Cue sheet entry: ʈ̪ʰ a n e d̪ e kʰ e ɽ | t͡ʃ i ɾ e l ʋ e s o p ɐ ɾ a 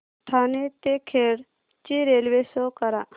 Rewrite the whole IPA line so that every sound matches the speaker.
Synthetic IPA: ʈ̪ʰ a n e t̪ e kʰ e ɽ | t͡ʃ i ɾ e l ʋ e s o k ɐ ɾ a

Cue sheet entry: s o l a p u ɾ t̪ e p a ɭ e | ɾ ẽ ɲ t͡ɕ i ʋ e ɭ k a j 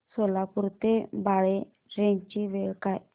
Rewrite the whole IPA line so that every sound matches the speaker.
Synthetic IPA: s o l a p u ɾ t̪ e b a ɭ e | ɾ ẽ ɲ t͡ɕ i ʋ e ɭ k a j

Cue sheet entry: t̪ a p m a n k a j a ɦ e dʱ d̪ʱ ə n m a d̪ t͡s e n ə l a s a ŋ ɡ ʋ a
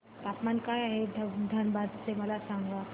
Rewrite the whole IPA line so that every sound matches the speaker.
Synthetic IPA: t̪ a p m a n k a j a ɦ e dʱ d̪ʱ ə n b a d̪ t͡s e m ə l a s a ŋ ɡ ʋ a

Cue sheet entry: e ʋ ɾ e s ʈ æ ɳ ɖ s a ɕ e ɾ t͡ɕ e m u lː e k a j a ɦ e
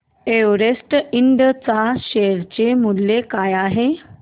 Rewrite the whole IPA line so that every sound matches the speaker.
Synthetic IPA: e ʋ ɾ e s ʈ i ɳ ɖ t͡s a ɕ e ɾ t͡ɕ e m u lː e k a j a ɦ e

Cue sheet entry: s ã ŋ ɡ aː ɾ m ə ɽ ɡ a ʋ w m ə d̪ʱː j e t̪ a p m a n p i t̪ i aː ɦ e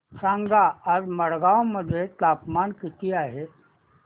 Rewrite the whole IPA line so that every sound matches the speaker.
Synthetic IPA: s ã ŋ ɡ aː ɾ m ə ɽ ɡ a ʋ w m ə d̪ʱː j e t̪ a p m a n k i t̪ i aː ɦ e

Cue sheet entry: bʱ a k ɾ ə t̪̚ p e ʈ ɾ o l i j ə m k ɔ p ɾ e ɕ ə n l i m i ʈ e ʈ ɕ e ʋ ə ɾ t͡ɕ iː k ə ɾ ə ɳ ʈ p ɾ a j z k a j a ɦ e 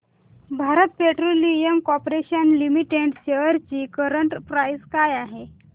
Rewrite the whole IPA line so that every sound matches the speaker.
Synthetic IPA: bʱ a ɾ ə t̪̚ p e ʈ ɾ o l i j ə m k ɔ p ɾ e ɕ ə n l i m i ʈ e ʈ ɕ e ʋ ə ɾ t͡ɕ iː k ə ɾ ə ɳ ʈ p ɾ a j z k a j a ɦ e

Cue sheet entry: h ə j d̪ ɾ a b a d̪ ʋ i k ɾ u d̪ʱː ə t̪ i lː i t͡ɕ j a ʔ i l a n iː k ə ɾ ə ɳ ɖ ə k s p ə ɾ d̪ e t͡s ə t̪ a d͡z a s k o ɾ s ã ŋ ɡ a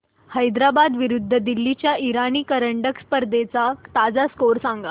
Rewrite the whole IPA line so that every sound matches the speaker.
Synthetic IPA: h ə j d̪ ɾ a b a d̪ ʋ i ɾ u d̪ʱː ə d̪ i lː i t͡ɕ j a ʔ i ɾ a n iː k ə ɾ ə ɳ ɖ ə k s p ə ɾ d̪ e t͡s a t̪ a d͡z a s k o ɾ s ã ŋ ɡ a

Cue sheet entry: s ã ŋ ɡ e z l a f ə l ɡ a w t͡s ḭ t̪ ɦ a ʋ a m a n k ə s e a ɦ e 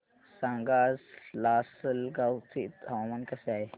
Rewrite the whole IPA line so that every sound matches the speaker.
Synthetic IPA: s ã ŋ ɡ a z l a s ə l ɡ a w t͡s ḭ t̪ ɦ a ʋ a m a n k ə s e a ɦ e

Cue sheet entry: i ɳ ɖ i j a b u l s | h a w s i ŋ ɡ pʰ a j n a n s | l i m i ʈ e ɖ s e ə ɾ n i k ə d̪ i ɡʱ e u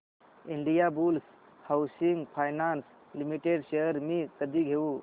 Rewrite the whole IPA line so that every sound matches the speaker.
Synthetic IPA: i ɳ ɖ i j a b u l s | h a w s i ŋ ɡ pʰ a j n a n s | l i m i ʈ e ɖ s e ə ɾ m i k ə d̪ i ɡʱ e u

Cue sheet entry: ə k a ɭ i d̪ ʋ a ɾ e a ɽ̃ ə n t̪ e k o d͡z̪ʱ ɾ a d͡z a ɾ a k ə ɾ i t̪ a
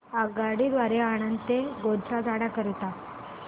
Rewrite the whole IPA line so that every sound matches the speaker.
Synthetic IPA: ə ɡ a ɽ i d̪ ʋ a ɾ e a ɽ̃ ə n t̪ e ɡ o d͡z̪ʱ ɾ a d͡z a ɽ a k ə ɾ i t̪ a

